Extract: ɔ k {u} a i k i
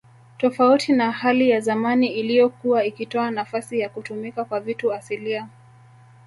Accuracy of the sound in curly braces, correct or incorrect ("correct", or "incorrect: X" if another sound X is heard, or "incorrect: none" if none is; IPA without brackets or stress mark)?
correct